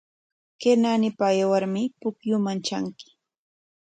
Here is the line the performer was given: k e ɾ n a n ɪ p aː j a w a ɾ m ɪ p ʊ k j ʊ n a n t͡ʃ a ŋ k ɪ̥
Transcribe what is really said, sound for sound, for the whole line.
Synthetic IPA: k e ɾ n a n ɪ p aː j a w a ɾ m ɪ p ʊ k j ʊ m a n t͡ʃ a ŋ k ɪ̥